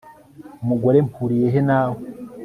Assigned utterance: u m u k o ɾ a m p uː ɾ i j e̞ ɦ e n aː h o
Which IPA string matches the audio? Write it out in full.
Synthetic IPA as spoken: u m u ɡ o ɾ e m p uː ɾ i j e̞ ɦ e n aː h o

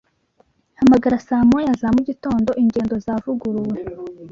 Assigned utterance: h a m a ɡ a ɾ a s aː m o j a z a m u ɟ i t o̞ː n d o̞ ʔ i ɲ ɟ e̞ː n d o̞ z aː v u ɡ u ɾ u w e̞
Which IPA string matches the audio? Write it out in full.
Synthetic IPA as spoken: h a m a ɡ a ɾ a s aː m o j a z a m u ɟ i t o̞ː n d o̞ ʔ i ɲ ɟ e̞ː n d o̞ z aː v u ɡ u ɾ u w e̞

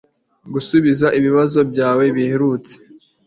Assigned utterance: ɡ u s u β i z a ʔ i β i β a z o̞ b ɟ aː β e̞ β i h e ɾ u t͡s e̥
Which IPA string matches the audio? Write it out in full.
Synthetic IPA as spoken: ɡ u s u β i z a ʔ i β i β a z o̞ b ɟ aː w e̞ β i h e ɾ u t͡s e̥

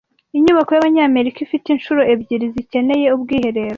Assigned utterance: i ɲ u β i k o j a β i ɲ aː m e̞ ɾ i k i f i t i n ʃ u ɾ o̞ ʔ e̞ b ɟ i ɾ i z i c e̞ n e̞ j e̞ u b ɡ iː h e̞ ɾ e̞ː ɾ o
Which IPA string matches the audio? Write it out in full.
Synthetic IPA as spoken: i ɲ u β a k o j a β a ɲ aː m e̞ ɾ i k i f i t i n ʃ u ɾ o̞ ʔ e̞ b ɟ i ɾ i z i c e̞ n e̞ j e̞ u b ɡ iː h e̞ ɾ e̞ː ɾ o

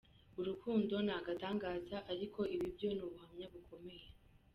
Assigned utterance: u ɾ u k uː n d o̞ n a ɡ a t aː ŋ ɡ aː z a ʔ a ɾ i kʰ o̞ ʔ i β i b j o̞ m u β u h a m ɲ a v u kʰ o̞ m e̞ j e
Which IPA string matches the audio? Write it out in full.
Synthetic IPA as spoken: u ɾ u k uː n d o̞ n a ɡ a t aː ŋ ɡ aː z a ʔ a ɾ i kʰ o̞ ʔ i β i b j o̞ n u β u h a m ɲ a β u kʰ o̞ m e̞ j e

